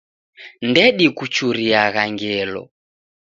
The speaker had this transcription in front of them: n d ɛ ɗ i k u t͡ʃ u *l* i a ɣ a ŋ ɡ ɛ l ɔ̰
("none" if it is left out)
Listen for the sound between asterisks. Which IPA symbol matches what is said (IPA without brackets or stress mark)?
ɾ